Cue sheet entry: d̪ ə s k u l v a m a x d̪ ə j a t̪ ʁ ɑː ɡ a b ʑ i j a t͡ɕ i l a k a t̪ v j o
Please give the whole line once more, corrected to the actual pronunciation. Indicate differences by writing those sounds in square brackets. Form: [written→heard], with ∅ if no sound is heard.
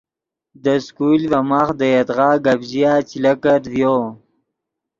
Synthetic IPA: d̪ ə s k u l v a m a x d̪ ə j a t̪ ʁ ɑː ɡ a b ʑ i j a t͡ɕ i l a k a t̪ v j o